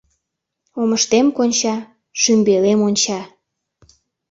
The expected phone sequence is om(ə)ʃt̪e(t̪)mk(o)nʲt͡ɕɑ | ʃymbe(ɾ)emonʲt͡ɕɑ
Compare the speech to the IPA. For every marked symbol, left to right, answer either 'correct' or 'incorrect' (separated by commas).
correct, incorrect, correct, incorrect